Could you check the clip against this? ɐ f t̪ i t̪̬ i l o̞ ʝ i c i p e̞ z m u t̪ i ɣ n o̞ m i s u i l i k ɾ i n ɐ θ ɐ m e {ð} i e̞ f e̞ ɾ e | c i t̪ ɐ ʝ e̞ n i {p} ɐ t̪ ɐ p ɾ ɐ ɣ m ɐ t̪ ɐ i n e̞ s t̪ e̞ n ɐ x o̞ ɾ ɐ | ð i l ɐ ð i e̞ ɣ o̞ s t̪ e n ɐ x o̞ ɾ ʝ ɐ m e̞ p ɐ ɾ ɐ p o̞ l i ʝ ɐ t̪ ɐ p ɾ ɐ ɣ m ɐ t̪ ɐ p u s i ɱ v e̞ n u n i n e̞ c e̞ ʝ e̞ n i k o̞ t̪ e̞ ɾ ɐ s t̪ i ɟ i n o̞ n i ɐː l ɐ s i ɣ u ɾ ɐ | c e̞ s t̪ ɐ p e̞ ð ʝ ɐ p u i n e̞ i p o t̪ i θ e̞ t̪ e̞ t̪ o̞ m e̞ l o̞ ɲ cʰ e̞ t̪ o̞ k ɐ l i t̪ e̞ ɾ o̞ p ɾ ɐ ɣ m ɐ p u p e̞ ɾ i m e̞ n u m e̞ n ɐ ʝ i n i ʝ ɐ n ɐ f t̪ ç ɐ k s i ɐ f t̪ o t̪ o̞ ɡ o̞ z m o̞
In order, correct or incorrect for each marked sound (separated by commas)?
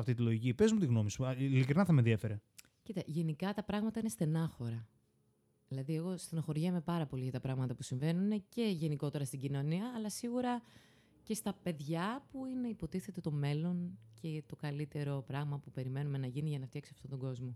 correct, incorrect